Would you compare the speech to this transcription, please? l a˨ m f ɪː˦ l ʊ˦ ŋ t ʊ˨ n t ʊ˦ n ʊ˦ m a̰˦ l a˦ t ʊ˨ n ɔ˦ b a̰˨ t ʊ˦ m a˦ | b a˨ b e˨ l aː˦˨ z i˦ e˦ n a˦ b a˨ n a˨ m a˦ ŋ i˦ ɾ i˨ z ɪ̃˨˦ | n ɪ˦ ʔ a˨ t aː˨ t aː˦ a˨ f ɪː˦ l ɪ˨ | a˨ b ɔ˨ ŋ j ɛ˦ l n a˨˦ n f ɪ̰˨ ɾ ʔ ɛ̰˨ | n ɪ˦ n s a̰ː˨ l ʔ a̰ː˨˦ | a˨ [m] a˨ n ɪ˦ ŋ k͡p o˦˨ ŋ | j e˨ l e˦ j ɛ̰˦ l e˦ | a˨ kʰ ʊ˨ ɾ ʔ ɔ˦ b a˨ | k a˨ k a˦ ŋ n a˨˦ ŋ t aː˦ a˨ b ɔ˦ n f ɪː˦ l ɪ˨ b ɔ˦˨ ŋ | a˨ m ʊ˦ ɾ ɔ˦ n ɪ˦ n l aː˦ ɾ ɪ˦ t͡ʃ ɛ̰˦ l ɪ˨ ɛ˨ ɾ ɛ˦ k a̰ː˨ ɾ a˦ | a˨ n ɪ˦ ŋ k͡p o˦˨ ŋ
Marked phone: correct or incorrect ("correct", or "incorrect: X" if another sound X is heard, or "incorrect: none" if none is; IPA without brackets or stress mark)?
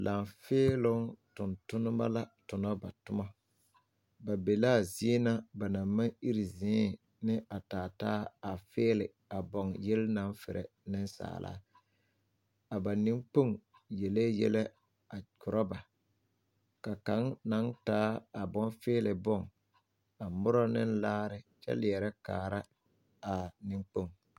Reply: incorrect: b